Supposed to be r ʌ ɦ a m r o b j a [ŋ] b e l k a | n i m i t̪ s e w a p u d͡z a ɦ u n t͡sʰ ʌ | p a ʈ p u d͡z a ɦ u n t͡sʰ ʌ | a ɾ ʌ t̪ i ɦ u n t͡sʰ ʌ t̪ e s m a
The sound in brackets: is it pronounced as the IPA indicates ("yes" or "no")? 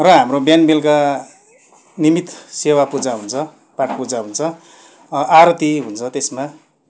no